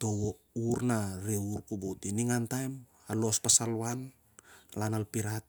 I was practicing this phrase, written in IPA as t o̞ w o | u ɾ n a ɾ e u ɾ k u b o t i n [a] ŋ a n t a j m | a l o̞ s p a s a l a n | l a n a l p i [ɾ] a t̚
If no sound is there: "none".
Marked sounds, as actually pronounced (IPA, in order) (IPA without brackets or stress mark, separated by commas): i, ɾ